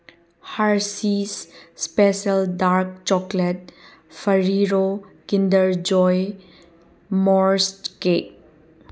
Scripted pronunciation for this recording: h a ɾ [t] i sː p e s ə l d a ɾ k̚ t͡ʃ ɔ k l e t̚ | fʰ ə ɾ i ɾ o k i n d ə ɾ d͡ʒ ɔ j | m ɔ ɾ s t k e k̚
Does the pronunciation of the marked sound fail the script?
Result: yes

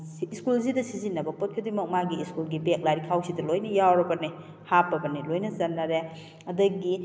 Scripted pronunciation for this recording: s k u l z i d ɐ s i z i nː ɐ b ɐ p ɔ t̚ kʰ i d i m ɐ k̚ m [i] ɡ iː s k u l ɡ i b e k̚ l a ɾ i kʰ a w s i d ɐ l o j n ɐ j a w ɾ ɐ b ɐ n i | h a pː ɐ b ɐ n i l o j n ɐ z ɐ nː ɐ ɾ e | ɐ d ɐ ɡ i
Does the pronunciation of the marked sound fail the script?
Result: yes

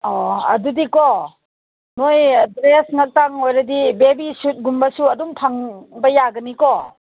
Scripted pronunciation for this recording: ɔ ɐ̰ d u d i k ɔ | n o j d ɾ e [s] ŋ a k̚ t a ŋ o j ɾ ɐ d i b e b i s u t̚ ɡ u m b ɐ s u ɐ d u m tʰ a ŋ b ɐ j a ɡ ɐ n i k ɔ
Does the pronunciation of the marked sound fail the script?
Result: no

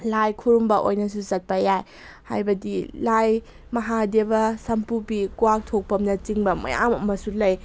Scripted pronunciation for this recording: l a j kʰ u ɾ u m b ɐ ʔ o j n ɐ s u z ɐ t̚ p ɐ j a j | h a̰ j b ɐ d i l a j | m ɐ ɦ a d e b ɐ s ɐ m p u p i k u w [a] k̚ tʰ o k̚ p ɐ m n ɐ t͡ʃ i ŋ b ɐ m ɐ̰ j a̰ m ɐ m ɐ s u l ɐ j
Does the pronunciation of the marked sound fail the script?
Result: no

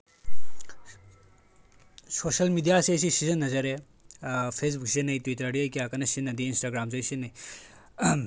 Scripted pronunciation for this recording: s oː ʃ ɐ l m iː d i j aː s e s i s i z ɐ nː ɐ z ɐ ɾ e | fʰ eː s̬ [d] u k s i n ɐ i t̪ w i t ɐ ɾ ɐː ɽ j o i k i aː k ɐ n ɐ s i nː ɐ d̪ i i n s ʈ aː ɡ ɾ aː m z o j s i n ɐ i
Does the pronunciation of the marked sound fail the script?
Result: yes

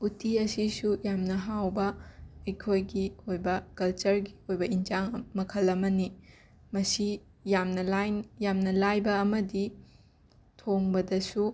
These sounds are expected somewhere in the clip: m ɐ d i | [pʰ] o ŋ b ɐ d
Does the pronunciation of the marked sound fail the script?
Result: yes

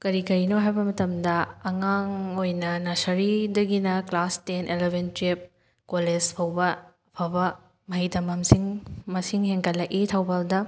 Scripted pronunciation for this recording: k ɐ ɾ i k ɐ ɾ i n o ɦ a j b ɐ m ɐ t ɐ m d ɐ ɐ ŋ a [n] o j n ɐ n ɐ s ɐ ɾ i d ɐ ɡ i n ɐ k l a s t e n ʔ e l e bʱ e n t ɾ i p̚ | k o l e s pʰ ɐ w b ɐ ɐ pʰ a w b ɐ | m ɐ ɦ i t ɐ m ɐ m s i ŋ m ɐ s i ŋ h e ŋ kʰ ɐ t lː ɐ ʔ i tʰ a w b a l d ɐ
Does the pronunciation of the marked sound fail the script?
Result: yes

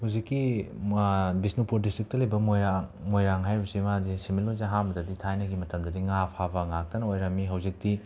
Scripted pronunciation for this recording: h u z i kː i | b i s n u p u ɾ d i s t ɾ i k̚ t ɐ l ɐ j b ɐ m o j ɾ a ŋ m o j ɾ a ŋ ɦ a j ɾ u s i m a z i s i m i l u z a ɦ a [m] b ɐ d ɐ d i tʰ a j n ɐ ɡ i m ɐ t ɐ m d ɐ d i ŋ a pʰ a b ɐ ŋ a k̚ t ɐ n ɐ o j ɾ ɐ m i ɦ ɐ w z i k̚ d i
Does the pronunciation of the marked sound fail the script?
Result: no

